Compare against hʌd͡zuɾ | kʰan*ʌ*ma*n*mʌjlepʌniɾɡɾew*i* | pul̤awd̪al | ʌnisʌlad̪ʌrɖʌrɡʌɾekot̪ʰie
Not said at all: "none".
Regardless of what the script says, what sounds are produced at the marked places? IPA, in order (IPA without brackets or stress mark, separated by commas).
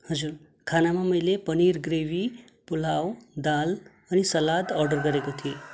a, none, i